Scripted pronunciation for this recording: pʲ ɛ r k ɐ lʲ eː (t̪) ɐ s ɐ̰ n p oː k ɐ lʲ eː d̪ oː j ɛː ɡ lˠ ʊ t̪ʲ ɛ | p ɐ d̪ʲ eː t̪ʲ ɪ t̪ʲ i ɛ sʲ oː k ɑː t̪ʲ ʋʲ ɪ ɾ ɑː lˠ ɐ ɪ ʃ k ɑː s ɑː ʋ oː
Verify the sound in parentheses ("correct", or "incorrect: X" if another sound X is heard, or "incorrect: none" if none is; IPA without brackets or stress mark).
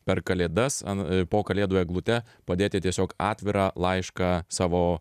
incorrect: d̪